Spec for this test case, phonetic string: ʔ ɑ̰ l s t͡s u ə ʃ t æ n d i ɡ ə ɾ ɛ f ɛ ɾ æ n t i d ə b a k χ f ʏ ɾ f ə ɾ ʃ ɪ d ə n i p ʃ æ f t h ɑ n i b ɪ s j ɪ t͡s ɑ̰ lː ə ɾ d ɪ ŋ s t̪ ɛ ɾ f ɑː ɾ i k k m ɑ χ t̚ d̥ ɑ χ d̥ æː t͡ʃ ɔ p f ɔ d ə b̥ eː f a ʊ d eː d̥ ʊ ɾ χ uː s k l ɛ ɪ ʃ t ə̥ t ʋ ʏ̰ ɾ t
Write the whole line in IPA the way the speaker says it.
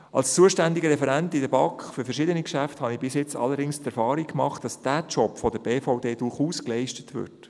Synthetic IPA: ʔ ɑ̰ l s t͡s u ə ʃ t æ n d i ɡ ə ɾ ɛ f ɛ ɾ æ n t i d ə b ɑ k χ f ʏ ɾ f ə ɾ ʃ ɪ d ə n i k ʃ æ f t h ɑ n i b ɪ s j ɪ t͡s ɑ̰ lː ə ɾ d ɪ ŋ s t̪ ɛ ɾ f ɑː ɾ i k k m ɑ χ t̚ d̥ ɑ s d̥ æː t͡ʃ ɔ p f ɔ d ə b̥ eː f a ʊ d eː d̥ ʊ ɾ χ uː s k l ɛ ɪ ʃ t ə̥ t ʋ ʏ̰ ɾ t